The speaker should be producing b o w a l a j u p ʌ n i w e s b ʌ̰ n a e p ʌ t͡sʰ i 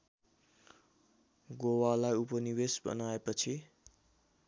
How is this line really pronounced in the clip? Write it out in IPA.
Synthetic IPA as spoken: ɡ o w a l a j u p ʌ n i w e s b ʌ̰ n a e p ʌ t͡sʰ i